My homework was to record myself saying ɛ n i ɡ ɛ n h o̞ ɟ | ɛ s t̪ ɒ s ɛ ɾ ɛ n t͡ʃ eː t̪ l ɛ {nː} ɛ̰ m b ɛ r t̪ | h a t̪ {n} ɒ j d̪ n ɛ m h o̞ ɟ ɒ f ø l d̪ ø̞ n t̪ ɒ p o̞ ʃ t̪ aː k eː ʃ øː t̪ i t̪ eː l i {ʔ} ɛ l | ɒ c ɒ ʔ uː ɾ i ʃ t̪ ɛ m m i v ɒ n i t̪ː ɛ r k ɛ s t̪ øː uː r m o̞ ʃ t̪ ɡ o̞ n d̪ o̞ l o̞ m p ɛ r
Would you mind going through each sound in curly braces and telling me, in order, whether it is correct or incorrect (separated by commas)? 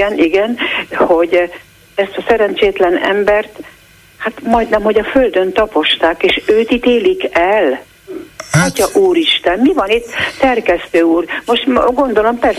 incorrect, incorrect, incorrect